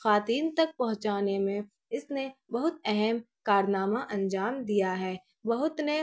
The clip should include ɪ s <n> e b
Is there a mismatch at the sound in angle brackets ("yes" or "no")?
no